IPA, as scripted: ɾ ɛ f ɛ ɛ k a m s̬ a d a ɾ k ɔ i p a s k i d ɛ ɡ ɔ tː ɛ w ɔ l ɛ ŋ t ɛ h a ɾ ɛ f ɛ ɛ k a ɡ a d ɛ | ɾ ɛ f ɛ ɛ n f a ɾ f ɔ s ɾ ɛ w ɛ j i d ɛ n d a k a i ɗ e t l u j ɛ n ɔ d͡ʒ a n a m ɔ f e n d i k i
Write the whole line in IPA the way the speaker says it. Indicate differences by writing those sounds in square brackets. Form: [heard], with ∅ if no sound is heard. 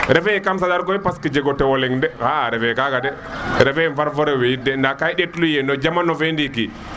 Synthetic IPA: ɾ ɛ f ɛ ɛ k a m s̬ a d a ɾ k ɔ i p a s k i [d͡ʒ] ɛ ɡ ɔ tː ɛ w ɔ l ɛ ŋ [d] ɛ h a ɾ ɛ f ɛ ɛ k a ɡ a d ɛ | ɾ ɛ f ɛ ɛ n f a ɾ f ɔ [∅] ɾ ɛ w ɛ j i d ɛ n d a k a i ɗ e t l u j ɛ n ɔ d͡ʒ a [m] a [n] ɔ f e n d i k i